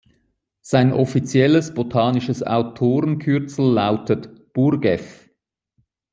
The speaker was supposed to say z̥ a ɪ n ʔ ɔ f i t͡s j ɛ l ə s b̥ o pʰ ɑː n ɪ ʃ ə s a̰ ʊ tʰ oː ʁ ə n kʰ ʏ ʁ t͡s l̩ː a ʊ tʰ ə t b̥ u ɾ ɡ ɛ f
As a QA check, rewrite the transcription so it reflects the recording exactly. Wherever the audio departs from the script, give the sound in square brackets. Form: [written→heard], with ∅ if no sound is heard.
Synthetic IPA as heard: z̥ a ɪ n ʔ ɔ f i t͡s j ɛ l ə s b̥ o [pʰ→tʰ] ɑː n ɪ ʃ ə s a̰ ʊ tʰ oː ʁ ə n kʰ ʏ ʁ t͡s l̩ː a ʊ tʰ ə t b̥ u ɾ ɡ ɛ f